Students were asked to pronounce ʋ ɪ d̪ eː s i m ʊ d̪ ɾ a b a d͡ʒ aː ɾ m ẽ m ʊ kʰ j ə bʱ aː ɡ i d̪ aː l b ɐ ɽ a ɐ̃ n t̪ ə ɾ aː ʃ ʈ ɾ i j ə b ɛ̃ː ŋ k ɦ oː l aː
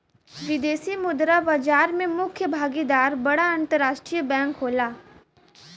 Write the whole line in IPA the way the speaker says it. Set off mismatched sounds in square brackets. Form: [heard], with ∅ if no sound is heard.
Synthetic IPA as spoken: ʋ ɪ d̪ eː s i m ʊ d̪ ɾ a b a d͡ʒ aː ɾ m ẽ m ʊ kʰ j ə bʱ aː ɡ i d̪ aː [ɾ] b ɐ ɽ a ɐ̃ n t̪ ə ɾ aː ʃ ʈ ɾ i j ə b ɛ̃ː ŋ k ɦ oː l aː

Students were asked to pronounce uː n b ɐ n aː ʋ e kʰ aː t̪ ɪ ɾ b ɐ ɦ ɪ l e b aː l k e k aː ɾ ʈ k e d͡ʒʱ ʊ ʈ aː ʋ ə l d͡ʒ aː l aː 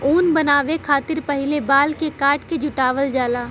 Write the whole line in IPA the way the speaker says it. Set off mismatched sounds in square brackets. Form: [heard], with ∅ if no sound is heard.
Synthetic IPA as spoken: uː n b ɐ n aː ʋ e kʰ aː t̪ ɪ ɾ [p] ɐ ɦ ɪ l e b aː l k e k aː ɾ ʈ k e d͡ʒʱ ʊ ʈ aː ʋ ə l d͡ʒ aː l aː

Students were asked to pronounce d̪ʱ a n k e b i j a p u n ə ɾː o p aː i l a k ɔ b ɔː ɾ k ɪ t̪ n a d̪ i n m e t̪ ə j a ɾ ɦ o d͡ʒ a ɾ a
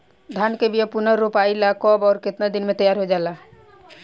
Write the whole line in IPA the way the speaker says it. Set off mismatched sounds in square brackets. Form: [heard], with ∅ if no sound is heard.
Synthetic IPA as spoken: d̪ʱ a n k e b i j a p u n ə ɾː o p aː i l a k ɔ b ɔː ɾ k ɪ t̪ n a d̪ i n m e t̪ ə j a ɾ ɦ o d͡ʒ a [l] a

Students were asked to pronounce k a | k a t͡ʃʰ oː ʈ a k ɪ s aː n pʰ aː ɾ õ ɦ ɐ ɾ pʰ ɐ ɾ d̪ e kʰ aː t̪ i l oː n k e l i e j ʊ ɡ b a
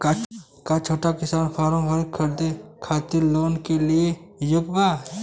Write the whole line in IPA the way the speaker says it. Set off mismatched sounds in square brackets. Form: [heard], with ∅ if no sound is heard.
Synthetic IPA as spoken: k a | k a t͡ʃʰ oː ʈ a k ɪ s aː n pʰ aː ɾ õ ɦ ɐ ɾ [kʰ] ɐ ɾ d̪ e kʰ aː t̪ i l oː n k e l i e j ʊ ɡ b a

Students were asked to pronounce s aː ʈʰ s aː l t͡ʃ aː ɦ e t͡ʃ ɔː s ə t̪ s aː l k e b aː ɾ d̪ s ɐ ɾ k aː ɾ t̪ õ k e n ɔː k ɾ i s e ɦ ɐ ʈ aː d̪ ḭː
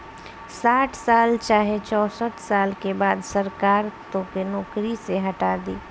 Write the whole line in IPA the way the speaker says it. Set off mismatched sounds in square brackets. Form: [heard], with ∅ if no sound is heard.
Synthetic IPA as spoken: s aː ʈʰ s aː l t͡ʃ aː ɦ e t͡ʃ ɔː s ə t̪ s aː l k e b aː [∅] d̪ s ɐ ɾ k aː ɾ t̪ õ k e n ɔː k ɾ i s e ɦ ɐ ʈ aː d̪ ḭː

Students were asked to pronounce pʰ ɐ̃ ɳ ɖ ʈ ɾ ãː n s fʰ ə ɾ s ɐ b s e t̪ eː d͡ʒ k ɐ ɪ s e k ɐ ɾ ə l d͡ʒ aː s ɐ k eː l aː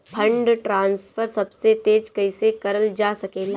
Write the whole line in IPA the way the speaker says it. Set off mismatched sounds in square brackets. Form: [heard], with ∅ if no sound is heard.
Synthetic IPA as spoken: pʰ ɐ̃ ɳ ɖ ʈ ɾ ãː n s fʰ ə ɾ s ɐ b s e t̪ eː d͡ʒ k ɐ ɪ s e k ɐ ɾ ə l d͡ʒ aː s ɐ k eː l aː

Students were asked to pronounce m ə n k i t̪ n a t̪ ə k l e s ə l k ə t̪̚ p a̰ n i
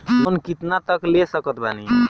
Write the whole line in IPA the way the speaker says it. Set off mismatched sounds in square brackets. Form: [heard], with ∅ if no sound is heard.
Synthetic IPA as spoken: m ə n k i t̪ n a t̪ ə k l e s ə [∅] k ə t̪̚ [b] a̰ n i

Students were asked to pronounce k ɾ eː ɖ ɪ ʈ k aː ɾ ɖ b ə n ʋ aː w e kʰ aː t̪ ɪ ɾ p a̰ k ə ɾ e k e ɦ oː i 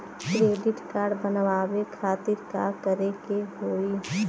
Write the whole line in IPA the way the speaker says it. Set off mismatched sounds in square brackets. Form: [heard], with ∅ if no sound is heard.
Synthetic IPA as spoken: k ɾ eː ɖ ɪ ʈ k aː ɾ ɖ b ə n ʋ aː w e kʰ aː t̪ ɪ ɾ [k] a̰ k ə ɾ e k e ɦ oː i

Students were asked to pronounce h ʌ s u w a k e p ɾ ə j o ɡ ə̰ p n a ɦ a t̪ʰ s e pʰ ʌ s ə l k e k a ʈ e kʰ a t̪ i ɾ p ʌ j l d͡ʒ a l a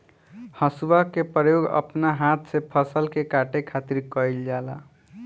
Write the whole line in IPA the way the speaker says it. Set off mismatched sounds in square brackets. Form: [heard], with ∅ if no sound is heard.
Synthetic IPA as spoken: h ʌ s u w a k e p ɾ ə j o ɡ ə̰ p n a ɦ a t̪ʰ s e pʰ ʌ s ə l k e k a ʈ e kʰ a t̪ i ɾ [k] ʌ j l d͡ʒ a l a

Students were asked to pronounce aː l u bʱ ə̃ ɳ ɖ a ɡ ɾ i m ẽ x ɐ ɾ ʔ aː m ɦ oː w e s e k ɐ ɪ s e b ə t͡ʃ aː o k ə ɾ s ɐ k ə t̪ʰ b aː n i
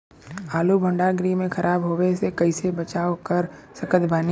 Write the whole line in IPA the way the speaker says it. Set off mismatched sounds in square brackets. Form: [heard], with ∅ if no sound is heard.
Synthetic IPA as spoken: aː l u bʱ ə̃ ɳ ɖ a ɡ ɾ i m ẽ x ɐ ɾ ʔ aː [b] ɦ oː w e s e k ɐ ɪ s e b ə t͡ʃ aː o k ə ɾ s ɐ k ə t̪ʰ b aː n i

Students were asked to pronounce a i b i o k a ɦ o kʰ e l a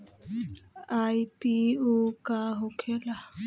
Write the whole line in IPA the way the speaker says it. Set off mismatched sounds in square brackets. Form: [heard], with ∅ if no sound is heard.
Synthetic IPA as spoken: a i [p] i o k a ɦ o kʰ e l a

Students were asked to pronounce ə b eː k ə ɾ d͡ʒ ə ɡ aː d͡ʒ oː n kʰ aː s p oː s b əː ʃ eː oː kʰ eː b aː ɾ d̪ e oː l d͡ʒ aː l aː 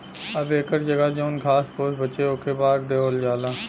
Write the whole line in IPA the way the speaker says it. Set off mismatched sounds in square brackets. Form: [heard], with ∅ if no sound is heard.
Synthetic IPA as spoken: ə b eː k ə ɾ d͡ʒ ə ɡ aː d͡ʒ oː n kʰ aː s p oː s b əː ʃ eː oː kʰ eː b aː ɾ d̪ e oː l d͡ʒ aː l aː

